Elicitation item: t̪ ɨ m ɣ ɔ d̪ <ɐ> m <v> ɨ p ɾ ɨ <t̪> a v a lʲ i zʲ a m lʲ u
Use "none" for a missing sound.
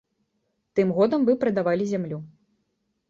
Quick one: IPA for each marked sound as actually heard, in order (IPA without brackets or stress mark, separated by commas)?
ɐ, v, d̪